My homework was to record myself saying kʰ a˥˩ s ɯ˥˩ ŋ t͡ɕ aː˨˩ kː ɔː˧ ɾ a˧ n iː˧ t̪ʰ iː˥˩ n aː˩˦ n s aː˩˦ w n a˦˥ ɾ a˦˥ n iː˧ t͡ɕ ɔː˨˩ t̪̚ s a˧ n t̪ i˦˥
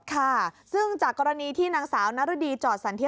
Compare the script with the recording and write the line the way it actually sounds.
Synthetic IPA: kʰ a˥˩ s ɯ˥˩ ŋ t͡ɕ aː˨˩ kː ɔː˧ ɾ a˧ n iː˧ t̪ʰ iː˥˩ n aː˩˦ ŋ s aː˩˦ w n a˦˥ ɾ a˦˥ d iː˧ t͡ɕ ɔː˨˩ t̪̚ s a˩˦ n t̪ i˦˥